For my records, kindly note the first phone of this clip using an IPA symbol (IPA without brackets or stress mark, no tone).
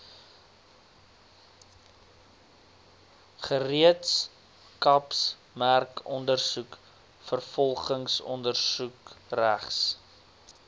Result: χ